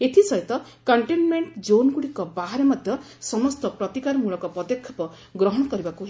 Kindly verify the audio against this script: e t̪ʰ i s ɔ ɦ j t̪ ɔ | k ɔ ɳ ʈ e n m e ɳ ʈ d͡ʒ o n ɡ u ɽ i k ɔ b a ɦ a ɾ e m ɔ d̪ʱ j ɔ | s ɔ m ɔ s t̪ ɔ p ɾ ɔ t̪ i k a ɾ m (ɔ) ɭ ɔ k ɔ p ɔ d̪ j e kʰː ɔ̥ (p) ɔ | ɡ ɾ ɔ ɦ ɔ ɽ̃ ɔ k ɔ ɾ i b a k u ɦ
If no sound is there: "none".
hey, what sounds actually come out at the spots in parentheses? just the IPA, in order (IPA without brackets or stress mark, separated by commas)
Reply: u, p